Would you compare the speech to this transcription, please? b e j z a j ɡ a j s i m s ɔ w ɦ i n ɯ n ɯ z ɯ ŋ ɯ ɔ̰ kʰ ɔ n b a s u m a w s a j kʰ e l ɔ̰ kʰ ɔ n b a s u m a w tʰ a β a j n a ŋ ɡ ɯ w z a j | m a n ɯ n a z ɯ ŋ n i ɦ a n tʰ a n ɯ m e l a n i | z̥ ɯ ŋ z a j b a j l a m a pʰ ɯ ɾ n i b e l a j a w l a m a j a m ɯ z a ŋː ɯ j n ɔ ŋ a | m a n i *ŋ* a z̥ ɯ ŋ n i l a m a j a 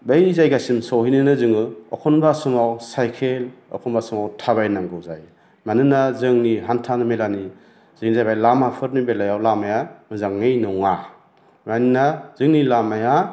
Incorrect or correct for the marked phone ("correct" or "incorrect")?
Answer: incorrect